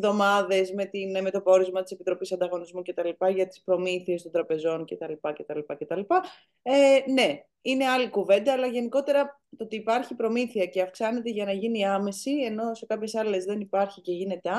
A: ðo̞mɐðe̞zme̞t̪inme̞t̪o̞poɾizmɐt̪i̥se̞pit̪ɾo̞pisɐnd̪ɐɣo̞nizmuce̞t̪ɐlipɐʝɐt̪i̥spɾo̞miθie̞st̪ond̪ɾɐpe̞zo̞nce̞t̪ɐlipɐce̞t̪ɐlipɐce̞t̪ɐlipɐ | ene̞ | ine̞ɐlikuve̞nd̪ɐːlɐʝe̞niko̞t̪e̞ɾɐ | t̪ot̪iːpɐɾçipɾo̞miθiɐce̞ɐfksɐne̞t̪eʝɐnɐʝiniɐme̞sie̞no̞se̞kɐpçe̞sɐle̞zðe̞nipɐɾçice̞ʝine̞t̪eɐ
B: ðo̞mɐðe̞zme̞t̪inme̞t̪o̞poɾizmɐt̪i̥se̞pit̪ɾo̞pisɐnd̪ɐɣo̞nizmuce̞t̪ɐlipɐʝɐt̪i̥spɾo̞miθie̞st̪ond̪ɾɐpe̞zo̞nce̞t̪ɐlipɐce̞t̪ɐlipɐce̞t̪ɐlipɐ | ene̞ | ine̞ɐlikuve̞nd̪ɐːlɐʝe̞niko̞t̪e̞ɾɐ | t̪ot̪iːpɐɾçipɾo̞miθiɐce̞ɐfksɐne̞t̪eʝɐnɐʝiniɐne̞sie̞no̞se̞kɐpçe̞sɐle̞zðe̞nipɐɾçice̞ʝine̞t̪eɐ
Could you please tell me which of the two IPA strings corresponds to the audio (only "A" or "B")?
A